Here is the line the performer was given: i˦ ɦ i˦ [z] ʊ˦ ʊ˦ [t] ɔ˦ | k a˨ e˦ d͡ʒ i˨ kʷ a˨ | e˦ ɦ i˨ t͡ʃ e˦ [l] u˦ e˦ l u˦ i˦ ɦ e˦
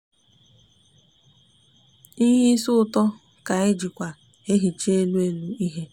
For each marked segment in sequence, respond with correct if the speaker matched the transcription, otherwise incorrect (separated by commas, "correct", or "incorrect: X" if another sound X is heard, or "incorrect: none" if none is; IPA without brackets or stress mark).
incorrect: s, correct, correct